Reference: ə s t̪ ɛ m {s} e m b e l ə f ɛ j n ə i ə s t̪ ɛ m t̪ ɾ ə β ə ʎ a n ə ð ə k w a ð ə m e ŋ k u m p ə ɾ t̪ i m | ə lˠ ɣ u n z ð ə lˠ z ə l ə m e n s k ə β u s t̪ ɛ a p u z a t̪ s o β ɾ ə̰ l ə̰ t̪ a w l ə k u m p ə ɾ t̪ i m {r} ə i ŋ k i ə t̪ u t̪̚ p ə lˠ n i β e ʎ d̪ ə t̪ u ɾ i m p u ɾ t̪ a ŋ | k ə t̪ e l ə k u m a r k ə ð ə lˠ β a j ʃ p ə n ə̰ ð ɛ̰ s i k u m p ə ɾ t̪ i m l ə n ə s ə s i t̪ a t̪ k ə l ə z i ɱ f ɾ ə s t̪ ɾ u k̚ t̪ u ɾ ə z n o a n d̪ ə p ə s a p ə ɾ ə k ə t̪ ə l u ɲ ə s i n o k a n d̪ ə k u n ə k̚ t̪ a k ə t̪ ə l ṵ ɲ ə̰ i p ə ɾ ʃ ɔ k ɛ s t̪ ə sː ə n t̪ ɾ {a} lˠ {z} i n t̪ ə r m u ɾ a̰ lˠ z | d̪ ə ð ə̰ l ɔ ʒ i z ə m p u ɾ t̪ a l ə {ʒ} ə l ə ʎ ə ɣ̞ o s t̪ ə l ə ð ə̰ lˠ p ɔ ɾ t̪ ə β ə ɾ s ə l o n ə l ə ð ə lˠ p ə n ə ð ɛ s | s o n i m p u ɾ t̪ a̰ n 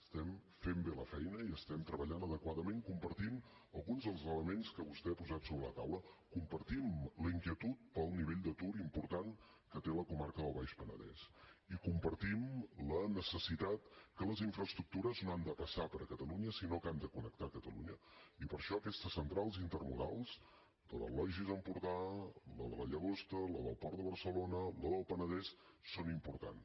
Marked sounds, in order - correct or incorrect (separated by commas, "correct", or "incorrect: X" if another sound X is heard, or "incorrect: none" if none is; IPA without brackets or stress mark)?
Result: incorrect: f, incorrect: l, correct, correct, incorrect: ð